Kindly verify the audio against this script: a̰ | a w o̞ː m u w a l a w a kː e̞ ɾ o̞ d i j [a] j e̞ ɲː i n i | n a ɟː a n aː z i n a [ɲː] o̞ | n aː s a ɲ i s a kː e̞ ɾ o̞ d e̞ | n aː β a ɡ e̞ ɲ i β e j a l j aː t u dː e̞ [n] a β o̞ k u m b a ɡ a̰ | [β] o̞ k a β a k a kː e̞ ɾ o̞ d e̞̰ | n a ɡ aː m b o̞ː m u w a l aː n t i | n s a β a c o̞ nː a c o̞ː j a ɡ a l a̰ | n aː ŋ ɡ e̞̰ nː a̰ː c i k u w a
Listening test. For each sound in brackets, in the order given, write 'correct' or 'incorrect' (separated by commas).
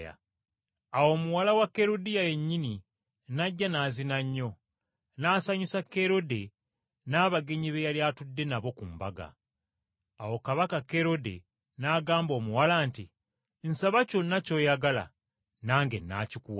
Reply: correct, correct, correct, incorrect